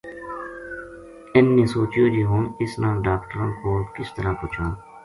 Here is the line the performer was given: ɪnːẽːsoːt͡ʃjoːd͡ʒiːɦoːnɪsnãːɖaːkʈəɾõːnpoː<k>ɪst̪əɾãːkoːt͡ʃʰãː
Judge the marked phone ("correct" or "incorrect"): correct